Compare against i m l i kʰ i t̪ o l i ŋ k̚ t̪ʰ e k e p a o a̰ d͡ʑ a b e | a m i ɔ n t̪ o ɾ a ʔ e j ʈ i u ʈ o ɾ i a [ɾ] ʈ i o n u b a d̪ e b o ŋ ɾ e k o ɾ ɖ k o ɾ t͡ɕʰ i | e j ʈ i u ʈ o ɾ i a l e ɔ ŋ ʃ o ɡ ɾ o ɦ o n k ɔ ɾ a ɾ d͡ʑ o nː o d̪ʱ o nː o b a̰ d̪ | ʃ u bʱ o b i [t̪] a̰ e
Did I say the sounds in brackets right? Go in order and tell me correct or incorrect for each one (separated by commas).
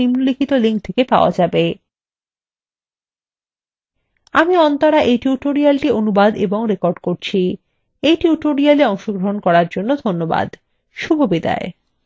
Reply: incorrect, incorrect